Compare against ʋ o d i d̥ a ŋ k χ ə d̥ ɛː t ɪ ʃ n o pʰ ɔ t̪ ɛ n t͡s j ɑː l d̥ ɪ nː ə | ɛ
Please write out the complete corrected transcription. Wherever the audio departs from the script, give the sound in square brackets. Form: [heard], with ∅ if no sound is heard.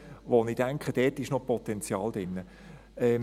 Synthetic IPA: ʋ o [n] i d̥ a ŋ k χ ə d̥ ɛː t ɪ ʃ n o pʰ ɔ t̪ ɛ n t͡s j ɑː l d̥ ɪ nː ə | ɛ